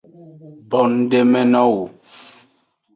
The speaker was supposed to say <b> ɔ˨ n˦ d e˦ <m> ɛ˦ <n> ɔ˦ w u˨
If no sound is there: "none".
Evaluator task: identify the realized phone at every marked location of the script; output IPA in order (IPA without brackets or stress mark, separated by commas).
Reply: b, m, n